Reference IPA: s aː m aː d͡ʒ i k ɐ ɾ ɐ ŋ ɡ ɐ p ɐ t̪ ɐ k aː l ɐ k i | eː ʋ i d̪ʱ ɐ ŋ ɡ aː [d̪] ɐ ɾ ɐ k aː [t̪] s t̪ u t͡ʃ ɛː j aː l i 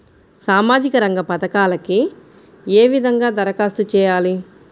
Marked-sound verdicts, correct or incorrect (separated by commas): correct, incorrect